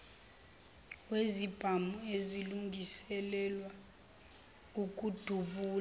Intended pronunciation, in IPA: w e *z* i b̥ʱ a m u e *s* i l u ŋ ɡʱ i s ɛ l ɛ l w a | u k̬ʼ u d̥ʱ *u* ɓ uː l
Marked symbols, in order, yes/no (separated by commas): yes, no, yes